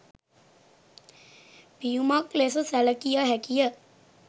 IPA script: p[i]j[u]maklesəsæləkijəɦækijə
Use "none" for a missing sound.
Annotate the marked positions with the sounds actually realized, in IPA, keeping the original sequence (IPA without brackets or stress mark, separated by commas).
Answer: i, u